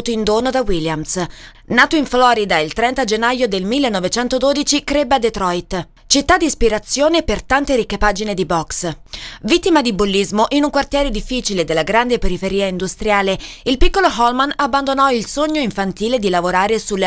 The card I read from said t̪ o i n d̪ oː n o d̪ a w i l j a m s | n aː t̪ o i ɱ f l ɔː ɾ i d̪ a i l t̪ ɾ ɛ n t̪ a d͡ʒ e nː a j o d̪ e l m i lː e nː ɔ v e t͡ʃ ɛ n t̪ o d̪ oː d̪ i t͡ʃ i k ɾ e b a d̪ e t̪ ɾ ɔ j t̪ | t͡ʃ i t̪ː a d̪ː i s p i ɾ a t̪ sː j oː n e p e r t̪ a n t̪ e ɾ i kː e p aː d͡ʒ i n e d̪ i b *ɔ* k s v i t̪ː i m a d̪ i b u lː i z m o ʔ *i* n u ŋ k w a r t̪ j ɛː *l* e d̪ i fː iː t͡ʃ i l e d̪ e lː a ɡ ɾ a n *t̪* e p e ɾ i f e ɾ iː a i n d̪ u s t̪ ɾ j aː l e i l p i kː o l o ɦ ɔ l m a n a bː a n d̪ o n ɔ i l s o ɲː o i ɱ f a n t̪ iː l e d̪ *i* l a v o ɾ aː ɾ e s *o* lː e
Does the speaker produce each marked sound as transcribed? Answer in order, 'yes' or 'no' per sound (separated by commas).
yes, yes, no, no, yes, no